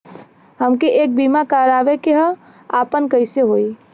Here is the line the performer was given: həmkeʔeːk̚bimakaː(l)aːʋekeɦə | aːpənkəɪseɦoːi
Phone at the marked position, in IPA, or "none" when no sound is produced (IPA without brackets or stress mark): ɾ